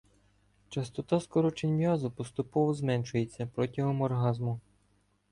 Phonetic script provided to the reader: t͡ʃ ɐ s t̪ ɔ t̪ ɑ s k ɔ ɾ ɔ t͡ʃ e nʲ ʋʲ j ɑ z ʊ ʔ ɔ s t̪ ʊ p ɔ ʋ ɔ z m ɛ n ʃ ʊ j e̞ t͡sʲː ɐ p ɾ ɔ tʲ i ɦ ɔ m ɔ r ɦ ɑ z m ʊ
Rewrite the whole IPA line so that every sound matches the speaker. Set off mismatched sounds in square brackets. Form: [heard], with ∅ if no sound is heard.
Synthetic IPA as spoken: t͡ʃ ɐ s t̪ ɔ t̪ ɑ s k ɔ ɾ ɔ t͡ʃ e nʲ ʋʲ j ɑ z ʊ [p] ɔ s t̪ ʊ p ɔ ʋ ɔ z m ɛ n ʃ ʊ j e̞ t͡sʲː ɐ p ɾ ɔ tʲ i ɦ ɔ m ɔ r ɦ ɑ z m ʊ